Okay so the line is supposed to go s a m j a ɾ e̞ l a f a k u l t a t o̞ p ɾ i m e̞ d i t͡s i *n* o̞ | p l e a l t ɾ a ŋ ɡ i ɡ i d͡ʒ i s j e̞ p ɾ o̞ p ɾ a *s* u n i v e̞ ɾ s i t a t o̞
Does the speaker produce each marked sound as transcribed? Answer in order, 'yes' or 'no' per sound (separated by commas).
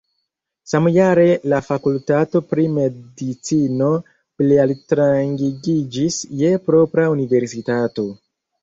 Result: yes, no